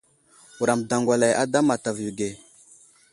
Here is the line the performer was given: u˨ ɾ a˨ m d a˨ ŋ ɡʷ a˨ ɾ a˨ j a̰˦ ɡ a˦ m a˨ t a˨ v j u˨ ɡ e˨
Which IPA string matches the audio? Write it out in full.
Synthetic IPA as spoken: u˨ ɾ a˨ m d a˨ ŋ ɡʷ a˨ l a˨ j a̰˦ d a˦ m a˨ t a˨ v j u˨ ɡ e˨